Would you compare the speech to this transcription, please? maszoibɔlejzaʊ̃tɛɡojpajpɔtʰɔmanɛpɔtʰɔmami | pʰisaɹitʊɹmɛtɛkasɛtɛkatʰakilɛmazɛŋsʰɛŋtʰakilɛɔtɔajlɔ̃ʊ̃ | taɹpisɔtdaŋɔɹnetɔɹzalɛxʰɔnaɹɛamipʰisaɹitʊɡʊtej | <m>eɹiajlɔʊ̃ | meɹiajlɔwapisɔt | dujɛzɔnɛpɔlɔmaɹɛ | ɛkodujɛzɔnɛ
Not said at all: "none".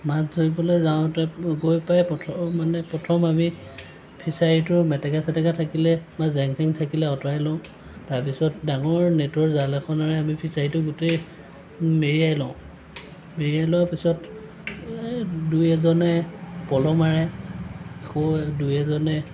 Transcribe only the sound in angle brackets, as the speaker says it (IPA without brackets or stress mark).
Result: m